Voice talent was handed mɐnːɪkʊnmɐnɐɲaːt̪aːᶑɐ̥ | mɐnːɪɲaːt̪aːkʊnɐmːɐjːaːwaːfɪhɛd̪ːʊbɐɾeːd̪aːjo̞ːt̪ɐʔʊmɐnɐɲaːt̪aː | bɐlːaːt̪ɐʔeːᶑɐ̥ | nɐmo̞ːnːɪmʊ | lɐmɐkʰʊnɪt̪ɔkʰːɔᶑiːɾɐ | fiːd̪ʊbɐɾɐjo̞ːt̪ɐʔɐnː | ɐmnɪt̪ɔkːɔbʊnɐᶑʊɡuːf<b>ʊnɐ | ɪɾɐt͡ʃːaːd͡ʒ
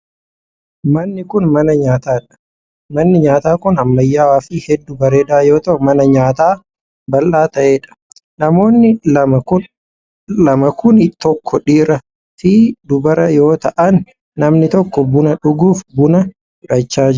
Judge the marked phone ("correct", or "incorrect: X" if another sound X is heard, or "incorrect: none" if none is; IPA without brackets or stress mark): correct